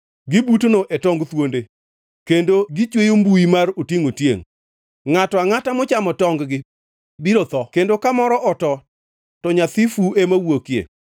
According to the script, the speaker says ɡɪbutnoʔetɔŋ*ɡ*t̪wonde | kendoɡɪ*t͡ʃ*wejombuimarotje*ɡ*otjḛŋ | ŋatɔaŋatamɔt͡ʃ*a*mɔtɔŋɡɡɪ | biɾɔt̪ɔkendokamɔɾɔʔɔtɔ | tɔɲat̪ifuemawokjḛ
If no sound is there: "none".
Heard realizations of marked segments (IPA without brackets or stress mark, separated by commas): ɡ, t͡ʃ, ŋ, a